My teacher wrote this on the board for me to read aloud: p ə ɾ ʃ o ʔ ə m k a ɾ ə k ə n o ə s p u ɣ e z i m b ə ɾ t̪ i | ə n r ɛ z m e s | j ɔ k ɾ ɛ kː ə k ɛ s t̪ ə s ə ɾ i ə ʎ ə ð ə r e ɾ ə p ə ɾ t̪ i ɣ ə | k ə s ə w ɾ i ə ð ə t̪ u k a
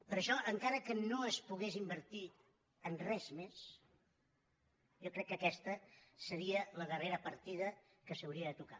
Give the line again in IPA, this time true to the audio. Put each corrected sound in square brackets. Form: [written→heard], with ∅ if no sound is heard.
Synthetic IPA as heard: p ə ɾ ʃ [o→ɔ] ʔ ə [m→ŋ] k a ɾ ə k ə n o ə s p u ɣ e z i m b ə ɾ t̪ i | ə n r ɛ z m e s | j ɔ k ɾ ɛ kː ə k ɛ s t̪ ə s ə ɾ i ə [ʎ→l] ə ð ə r e ɾ ə p ə ɾ t̪ i [ɣ→ð] ə | k ə s ə w ɾ i ə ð ə t̪ u k a